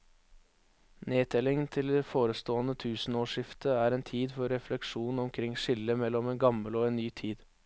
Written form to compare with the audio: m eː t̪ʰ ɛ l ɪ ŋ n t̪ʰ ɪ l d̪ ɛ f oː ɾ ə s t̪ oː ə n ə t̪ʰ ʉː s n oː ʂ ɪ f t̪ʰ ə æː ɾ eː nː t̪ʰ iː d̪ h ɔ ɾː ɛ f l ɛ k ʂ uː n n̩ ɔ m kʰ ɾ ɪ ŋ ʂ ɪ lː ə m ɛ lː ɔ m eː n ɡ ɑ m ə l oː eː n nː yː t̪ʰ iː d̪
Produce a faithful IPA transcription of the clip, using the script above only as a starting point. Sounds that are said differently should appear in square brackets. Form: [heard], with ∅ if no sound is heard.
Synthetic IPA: [n] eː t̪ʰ ɛ l ɪ ŋ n t̪ʰ ɪ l d̪ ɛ f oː ɾ ə s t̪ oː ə n ə t̪ʰ ʉː s n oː ʂ ɪ f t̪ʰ ə æː ɾ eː [n] t̪ʰ iː d̪ [f] ɔ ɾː ɛ f l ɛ k ʂ uː n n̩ ɔ m kʰ ɾ ɪ ŋ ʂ ɪ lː ə m ɛ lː ɔ m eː n ɡ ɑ m ə l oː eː n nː yː t̪ʰ iː d̪